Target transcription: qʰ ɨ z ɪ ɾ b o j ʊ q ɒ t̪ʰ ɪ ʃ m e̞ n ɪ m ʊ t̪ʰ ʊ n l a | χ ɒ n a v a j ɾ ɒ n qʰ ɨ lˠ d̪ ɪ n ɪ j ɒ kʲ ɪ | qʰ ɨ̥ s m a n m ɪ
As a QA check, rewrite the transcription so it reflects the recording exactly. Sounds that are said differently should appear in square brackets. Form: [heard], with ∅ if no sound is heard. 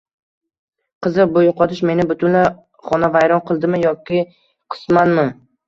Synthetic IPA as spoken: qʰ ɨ z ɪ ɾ b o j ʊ q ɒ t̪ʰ ɪ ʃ m e̞ n ɪ [b] ʊ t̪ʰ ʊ n l a | χ ɒ n a v a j ɾ ɒ n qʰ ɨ lˠ d̪ ɪ [m] ɪ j ɒ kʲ ɪ | qʰ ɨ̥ s m a n m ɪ